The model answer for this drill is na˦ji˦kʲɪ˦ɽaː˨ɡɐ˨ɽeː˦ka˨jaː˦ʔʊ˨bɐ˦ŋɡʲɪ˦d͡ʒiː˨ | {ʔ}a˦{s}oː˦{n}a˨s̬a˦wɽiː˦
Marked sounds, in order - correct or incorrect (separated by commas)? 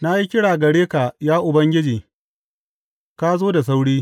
incorrect, incorrect, incorrect